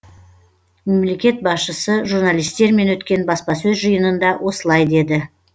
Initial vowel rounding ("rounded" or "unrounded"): unrounded